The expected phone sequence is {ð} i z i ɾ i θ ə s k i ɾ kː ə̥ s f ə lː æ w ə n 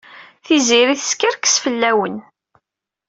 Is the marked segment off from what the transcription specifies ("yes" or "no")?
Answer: yes